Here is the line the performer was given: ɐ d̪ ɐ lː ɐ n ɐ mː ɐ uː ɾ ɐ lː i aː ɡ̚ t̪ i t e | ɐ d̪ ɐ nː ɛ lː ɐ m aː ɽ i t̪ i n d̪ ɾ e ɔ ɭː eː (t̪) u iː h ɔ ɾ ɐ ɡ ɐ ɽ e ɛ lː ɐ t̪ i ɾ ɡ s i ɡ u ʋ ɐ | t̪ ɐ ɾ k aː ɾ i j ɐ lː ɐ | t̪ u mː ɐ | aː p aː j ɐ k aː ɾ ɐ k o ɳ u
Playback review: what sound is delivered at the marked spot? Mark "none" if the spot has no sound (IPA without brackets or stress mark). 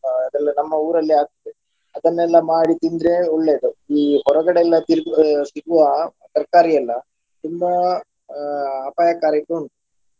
d̪